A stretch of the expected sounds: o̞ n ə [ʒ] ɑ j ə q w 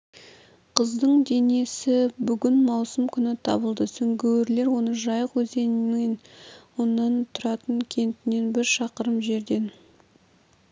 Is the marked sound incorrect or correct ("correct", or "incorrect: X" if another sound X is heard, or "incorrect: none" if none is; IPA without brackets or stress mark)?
correct